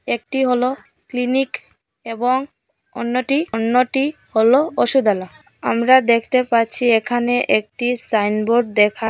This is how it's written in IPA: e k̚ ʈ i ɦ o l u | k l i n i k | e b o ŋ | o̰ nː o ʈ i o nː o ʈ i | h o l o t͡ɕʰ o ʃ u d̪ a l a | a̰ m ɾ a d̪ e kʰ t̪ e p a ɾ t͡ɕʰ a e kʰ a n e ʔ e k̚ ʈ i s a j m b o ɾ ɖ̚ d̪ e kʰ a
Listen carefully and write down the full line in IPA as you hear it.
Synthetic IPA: e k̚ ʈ i ɦ o l o | k l i n i k | e b o ŋ | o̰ nː o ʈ i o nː o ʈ i | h o l o o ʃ u d̪ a l a | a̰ m ɾ a d̪ e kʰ t̪ e p a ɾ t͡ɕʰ i e kʰ a n e ʔ e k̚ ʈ i s a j n b o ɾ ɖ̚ d̪ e kʰ a